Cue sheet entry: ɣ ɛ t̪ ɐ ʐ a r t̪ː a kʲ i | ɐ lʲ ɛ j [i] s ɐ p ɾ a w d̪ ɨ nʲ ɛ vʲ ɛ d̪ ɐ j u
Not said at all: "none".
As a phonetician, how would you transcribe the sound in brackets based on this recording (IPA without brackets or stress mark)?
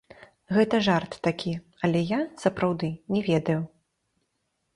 a